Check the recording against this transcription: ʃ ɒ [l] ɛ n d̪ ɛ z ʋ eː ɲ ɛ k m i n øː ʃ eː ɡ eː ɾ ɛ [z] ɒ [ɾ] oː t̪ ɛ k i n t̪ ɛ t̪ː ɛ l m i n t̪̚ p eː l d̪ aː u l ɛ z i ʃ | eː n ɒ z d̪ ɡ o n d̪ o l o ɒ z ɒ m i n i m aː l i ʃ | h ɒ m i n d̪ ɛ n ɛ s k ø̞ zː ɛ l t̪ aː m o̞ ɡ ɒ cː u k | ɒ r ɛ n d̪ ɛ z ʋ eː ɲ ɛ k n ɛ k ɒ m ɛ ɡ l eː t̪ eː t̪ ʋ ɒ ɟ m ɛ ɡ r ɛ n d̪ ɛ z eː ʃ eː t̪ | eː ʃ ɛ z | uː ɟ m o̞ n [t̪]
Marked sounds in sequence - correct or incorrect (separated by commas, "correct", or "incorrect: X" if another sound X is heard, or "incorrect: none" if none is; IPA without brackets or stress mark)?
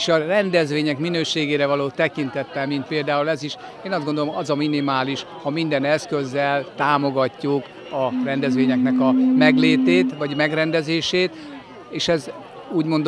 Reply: incorrect: r, incorrect: v, incorrect: l, incorrect: d̪